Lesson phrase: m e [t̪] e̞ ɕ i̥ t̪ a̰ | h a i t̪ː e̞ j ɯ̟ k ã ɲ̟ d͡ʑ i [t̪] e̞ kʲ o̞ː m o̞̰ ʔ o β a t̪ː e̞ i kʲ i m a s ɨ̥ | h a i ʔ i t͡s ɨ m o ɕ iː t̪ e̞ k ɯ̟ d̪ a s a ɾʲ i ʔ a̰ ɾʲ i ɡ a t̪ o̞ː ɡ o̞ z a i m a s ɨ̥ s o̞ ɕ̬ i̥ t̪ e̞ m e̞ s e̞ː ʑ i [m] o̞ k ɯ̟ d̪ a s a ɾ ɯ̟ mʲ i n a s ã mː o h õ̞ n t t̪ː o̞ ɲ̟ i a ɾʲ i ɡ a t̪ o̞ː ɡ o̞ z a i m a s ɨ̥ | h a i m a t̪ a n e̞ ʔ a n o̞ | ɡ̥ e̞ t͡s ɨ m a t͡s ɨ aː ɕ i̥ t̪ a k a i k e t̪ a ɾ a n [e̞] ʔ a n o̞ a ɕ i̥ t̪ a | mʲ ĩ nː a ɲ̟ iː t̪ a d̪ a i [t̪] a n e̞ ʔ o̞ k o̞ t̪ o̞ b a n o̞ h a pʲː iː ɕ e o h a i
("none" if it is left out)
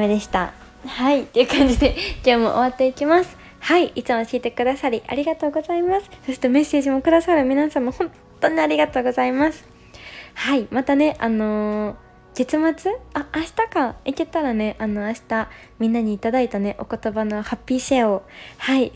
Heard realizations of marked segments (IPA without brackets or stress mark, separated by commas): d̪, d̪, m, e̞, t̪